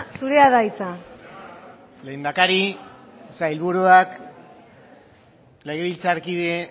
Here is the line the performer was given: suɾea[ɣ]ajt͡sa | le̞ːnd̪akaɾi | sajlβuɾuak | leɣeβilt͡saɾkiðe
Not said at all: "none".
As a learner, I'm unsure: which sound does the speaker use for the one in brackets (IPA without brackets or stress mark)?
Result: ð